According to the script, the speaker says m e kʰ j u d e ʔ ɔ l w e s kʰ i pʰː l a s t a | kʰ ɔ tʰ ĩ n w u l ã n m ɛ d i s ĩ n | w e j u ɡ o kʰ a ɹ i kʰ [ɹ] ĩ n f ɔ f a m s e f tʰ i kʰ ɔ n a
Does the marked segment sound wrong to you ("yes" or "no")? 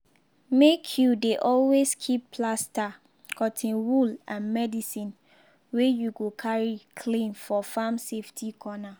yes